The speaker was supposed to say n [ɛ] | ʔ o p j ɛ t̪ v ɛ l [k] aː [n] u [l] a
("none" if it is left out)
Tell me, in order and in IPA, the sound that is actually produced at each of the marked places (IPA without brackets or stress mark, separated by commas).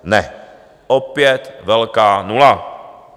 ɛ, k, n, l